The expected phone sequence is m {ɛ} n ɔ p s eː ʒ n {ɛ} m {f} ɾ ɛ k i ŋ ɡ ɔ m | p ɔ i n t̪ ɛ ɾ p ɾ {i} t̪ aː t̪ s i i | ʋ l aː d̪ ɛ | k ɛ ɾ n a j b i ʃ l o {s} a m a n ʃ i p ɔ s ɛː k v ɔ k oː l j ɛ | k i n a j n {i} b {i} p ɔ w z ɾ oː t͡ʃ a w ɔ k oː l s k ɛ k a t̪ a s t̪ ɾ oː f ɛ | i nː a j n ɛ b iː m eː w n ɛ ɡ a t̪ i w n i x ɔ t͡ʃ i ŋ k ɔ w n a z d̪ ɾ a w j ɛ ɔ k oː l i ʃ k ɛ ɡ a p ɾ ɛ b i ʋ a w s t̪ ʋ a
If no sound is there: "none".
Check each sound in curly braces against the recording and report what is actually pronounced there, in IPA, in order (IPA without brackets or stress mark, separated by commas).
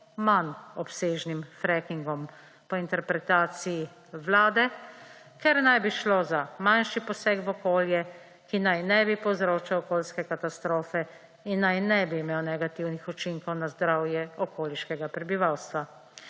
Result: a, i, f, ɛ, z, ɛ, i